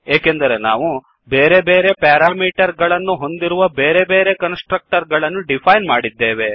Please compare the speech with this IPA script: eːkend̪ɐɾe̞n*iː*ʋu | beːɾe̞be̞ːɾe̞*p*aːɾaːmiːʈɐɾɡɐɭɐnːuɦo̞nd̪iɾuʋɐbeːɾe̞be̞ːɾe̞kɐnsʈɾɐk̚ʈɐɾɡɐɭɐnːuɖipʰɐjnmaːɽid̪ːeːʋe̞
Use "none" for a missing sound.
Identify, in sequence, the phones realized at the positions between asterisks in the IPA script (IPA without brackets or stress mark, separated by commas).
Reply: aː, p